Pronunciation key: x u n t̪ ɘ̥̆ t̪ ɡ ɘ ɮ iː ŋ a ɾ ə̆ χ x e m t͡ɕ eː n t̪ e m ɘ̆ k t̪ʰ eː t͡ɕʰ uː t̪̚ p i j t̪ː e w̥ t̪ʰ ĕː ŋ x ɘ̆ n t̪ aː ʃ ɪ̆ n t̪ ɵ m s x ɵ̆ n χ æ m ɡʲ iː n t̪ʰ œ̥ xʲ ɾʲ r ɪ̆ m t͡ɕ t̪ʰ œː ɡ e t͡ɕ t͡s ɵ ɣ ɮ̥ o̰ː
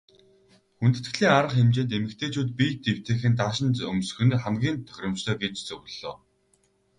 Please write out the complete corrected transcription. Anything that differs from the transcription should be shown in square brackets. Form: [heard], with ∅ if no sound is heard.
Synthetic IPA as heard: x u n t̪ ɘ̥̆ t̪ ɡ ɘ ɮ iː ŋ a ɾ ə̆ χ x e m t͡ɕ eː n t̪ e m ɘ̆ k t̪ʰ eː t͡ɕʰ uː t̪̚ p i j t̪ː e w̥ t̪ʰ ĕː [∅] x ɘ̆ n t̪ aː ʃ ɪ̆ n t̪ ɵ m s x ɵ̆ n χ æ m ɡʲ iː n t̪ʰ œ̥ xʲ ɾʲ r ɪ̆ m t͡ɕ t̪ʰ œː ɡ e t͡ɕ t͡s ɵ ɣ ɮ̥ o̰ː